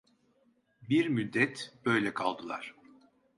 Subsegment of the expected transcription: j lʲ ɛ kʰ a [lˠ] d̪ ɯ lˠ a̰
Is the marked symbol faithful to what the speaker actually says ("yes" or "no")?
yes